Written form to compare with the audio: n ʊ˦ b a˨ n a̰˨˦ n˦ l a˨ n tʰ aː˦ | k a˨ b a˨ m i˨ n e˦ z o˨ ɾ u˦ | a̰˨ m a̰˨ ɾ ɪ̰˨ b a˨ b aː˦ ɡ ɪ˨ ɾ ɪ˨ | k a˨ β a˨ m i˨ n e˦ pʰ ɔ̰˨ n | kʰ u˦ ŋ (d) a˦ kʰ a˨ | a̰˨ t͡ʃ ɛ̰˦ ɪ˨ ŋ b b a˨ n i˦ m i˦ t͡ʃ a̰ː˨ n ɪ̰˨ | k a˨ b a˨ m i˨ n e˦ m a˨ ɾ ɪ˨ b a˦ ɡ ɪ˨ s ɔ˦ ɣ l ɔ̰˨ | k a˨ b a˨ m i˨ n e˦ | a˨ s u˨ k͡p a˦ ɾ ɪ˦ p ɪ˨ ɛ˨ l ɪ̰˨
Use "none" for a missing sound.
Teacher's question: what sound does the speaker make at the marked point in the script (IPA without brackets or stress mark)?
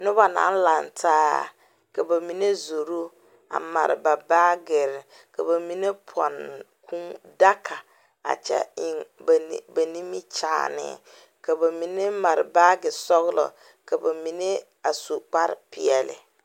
d